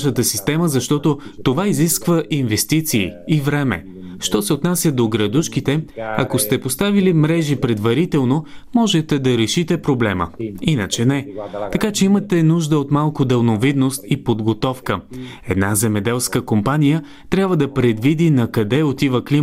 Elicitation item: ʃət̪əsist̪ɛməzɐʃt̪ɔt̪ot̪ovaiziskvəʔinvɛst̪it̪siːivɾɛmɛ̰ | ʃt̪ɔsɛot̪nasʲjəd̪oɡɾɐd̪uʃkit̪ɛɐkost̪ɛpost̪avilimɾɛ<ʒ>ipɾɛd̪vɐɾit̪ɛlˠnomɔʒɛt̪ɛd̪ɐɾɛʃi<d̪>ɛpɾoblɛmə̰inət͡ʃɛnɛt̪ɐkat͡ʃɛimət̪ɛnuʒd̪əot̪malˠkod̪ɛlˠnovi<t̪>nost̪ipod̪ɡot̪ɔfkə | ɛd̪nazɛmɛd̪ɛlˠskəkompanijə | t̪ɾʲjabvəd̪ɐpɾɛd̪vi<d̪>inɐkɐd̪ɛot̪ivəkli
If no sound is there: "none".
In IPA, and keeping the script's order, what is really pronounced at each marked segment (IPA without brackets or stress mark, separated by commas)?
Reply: ʒ, t̪, d̪, d̪